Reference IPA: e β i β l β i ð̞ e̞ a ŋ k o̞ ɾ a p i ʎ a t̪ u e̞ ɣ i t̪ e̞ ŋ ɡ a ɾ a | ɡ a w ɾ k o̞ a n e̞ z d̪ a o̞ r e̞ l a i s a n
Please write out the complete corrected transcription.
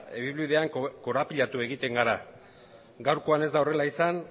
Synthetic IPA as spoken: e β i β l β i ð̞ e̞ a ŋ k o̞ ɾ a p i ʎ a t̪ u e̞ ɣ i t̪ e̞ ŋ ɡ a ɾ a | ɡ a w ɾ k o̞ a n e̞ z d̪ a o̞ r e̞ l a i s a n

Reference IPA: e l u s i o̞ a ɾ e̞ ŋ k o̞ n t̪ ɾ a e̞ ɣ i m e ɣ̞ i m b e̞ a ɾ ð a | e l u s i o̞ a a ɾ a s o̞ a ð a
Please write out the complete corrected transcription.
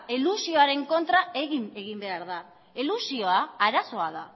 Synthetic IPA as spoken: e l u s i o̞ a ɾ e̞ ŋ k o̞ n t̪ ɾ a e̞ ɣ i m e ɣ̞ i m b e̞ a ɾ ð a | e l u s i o̞ a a ɾ a s o̞ a ð a

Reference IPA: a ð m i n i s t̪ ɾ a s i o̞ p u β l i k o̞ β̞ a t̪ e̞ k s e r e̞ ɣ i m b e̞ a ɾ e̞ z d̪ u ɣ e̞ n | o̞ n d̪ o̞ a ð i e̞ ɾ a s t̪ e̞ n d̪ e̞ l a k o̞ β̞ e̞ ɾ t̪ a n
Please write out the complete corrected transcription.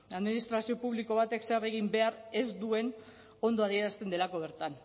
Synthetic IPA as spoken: a ð m i n i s t̪ ɾ a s i o̞ p u β l i k o̞ β̞ a t̪ e̞ k s e r e̞ ɣ i m b e̞ a ɾ e̞ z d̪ u e̞ n | o̞ n d̪ o̞ a ð i e̞ ɾ a s t̪ e̞ n d̪ e̞ l a k o̞ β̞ e̞ ɾ t̪ a n

